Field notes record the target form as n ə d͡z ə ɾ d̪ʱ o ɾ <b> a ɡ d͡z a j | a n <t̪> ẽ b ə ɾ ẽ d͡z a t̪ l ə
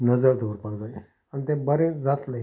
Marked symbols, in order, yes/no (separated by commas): no, yes